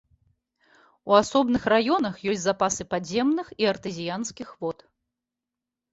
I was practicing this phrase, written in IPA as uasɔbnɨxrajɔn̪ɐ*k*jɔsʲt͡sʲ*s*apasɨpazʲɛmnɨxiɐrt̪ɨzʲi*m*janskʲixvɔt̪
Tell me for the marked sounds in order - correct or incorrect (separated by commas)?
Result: incorrect, incorrect, incorrect